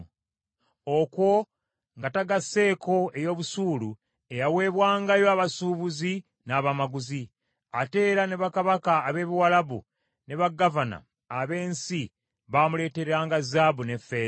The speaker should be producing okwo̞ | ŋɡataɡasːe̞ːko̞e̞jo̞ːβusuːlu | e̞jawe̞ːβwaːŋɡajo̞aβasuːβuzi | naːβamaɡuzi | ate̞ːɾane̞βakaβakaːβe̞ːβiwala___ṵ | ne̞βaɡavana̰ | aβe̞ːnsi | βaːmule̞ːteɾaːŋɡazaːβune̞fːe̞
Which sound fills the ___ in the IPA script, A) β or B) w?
A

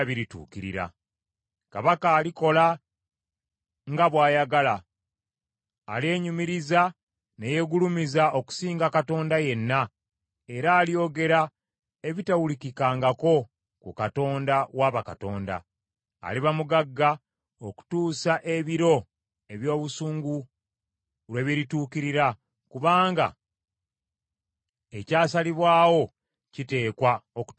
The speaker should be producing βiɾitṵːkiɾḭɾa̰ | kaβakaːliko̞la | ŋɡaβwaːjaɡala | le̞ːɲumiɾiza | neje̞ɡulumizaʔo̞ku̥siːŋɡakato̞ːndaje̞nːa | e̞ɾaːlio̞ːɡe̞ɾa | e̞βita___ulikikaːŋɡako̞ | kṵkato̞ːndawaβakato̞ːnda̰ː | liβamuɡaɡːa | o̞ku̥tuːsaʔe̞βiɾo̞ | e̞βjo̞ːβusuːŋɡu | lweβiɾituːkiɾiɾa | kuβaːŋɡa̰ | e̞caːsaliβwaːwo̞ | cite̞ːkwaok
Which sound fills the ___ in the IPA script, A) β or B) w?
B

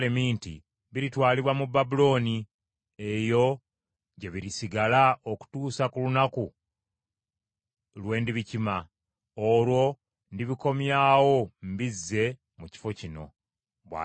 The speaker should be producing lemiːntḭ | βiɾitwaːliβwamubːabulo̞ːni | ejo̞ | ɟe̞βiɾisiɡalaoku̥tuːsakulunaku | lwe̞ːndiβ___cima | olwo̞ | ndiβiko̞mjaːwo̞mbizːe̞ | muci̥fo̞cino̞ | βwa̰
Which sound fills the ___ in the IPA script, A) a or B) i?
B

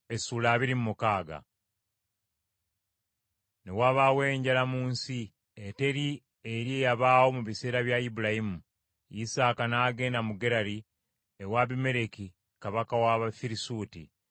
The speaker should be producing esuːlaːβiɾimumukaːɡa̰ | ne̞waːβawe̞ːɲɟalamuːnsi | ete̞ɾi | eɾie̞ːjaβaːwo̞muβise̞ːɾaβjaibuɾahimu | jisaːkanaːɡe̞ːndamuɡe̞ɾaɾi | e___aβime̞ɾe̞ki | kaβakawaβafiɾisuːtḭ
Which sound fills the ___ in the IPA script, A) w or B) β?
A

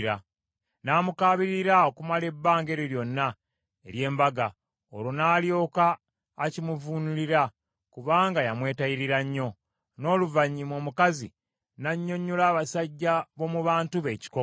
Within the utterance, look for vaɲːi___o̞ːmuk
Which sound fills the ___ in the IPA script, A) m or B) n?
A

